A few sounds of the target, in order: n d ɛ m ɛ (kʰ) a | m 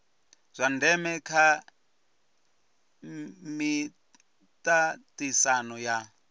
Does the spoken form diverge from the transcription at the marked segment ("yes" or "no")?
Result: no